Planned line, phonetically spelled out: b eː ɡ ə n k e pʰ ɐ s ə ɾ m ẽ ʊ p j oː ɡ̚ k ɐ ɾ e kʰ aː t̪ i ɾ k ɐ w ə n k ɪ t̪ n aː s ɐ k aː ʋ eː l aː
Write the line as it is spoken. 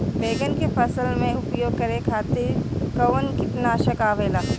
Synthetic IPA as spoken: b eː ɡ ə n k e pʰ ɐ s ə l m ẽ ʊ p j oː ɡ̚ k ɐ ɾ e kʰ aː t̪ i ɾ k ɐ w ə n k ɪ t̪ n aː ʃ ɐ k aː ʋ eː l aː